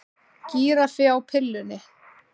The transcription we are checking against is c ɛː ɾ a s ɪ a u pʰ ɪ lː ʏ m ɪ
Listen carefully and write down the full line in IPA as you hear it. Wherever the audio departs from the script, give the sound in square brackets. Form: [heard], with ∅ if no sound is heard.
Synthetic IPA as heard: c [iː] ɾ a [f] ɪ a [w] pʰ ɪ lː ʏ [n] ɪ